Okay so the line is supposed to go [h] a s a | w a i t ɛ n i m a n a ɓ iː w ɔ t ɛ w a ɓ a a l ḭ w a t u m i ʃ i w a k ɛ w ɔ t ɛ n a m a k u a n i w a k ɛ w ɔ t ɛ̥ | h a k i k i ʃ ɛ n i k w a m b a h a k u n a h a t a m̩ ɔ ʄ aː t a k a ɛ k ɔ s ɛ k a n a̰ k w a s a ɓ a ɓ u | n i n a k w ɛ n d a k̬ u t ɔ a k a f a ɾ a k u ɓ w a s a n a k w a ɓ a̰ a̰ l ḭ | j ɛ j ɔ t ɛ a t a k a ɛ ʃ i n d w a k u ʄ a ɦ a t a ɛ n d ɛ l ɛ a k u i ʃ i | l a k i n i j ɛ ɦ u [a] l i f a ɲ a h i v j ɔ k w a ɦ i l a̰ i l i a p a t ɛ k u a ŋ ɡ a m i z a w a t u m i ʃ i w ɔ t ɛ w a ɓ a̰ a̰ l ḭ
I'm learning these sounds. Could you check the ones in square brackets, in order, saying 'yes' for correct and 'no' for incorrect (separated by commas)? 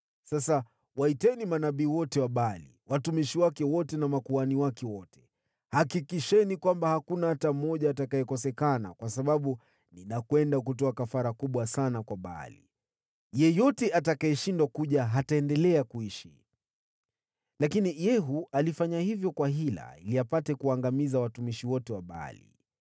no, yes